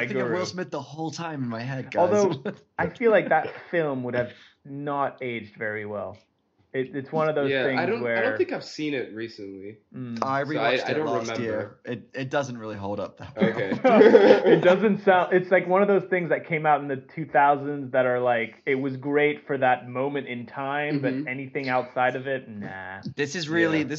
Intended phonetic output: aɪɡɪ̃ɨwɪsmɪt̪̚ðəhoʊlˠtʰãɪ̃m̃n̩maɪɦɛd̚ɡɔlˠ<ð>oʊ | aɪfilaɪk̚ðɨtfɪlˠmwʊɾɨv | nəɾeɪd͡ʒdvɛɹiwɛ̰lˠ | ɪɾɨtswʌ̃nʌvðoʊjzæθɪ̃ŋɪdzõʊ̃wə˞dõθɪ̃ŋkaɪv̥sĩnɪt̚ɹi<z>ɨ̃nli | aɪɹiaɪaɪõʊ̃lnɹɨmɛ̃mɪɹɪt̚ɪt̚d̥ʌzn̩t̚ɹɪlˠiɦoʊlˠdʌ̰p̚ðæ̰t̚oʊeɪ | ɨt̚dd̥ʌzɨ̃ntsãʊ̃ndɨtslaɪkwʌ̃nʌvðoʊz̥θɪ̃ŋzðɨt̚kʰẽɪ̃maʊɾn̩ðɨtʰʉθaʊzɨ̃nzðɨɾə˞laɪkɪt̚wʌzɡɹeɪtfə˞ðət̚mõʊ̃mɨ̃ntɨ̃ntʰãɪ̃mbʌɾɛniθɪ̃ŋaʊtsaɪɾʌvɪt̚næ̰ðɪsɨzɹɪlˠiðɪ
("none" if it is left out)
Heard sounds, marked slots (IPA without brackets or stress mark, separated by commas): ð, s